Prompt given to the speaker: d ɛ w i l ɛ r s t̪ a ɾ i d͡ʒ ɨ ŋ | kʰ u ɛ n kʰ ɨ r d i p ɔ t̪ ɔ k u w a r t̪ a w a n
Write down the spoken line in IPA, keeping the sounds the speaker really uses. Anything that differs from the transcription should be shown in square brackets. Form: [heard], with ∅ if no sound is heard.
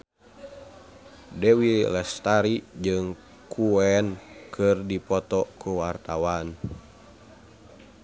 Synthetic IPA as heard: d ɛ w i l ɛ [∅] s t̪ a ɾ i d͡ʒ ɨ ŋ | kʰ u ɛ n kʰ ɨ r d i p ɔ t̪ ɔ k u w a r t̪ a w a n